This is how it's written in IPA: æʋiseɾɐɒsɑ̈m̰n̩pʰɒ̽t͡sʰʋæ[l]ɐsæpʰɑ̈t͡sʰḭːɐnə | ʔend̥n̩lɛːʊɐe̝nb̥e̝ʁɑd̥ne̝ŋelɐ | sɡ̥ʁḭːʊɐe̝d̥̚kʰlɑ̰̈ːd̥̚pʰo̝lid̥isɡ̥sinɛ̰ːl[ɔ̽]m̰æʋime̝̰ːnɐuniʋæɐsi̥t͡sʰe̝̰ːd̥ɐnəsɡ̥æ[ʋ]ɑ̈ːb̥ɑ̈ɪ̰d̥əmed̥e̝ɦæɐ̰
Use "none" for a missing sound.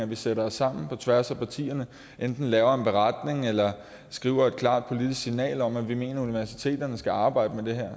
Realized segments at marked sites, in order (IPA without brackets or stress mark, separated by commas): none, ɒ̽, none